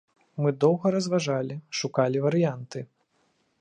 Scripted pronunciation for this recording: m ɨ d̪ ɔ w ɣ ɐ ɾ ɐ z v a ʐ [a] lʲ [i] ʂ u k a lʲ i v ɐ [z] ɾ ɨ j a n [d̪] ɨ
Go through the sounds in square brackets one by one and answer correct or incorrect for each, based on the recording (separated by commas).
correct, correct, incorrect, incorrect